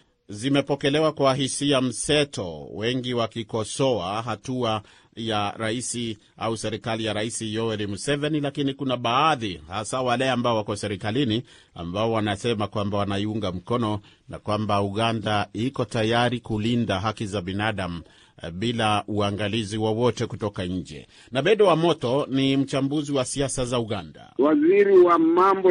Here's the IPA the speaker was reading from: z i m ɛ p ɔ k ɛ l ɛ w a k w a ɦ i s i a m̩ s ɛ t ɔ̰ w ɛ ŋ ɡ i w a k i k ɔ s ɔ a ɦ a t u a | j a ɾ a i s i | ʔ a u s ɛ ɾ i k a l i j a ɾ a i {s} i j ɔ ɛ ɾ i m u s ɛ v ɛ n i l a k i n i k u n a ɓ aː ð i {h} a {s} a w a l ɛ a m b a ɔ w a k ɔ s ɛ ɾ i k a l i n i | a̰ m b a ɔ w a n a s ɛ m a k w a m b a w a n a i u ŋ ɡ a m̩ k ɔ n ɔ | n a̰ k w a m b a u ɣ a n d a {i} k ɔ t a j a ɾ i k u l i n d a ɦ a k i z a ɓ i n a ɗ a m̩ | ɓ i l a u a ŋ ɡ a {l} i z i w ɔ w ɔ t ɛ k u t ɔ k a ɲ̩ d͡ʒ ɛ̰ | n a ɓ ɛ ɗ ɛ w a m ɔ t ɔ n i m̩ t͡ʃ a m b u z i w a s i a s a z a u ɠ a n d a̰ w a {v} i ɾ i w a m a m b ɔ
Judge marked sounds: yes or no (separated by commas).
yes, yes, yes, yes, yes, no